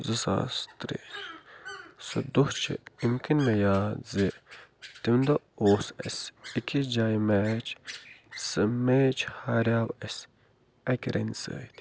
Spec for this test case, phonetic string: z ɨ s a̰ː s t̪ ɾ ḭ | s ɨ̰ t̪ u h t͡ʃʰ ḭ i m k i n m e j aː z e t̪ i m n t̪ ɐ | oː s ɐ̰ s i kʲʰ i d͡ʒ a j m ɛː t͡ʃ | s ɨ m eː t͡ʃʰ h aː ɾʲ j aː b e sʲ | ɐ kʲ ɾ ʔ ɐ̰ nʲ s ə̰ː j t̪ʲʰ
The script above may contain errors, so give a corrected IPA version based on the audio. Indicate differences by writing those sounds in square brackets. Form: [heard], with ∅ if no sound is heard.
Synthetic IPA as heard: z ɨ s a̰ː s t̪ ɾ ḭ | s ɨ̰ [d̪] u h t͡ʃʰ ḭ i m k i n m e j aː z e t̪ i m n [d̪] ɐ | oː s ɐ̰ s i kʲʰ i d͡ʒ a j m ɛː t͡ʃ | s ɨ m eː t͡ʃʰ h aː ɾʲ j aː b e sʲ | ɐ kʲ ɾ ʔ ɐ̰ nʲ s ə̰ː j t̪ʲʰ

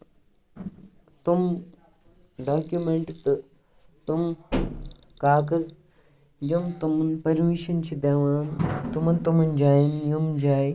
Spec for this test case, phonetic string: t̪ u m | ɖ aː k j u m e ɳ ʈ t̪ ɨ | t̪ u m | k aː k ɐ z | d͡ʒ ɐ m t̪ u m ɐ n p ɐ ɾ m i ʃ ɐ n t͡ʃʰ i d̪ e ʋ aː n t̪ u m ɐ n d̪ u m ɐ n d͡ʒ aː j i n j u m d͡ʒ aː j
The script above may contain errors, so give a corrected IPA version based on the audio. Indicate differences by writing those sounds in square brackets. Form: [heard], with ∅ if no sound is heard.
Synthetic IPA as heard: t̪ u m | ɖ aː k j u m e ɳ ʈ t̪ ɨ | t̪ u m | k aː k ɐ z | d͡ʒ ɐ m t̪ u m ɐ n p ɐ ɾ m i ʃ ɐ n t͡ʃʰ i d̪ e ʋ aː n t̪ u m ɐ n [t̪] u m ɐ n d͡ʒ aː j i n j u m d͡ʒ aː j

